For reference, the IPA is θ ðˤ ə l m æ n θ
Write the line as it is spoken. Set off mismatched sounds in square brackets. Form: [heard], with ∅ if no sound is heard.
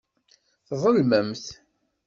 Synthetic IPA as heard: θ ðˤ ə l m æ [m] θ